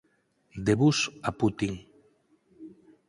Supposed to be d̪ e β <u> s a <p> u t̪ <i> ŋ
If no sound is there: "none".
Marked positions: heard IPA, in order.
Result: u, p, i

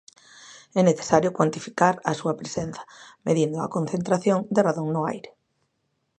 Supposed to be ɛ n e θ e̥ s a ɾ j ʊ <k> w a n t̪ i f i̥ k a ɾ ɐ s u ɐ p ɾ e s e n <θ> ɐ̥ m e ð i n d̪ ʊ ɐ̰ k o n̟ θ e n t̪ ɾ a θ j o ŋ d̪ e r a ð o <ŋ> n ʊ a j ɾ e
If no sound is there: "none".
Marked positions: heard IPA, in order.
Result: k, θ, ŋ

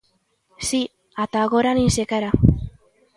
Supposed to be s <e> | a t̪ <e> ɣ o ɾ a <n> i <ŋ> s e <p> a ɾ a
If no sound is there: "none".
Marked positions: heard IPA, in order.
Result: i, a, n, n, k

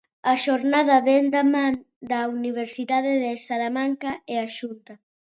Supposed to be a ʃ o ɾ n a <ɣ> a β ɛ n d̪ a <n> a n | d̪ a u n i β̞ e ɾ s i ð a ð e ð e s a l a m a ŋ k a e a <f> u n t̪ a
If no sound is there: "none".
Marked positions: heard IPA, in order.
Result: ð, m, ʃ

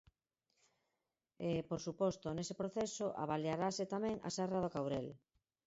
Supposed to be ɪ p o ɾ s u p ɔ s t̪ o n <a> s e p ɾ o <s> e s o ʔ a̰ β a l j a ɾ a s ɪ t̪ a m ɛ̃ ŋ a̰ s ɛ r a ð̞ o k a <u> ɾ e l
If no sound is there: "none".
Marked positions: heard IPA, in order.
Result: e, θ, w

